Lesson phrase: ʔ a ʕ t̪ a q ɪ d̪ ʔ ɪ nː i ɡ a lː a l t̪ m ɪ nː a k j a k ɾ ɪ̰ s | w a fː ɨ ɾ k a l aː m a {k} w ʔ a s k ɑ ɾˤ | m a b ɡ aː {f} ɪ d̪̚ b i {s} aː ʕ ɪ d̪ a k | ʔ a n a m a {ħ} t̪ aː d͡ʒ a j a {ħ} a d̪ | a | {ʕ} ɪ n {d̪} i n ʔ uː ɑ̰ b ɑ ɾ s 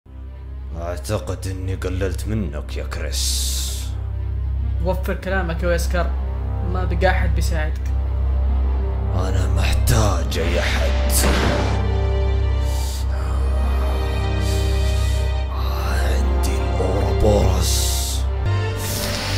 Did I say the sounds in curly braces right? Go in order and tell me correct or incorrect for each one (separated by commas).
correct, incorrect, correct, correct, correct, correct, correct